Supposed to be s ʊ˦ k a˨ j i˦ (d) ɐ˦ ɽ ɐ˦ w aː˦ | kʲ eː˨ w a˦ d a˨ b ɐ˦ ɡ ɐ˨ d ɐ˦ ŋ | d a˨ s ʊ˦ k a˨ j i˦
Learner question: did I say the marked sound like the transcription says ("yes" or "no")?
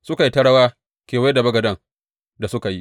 no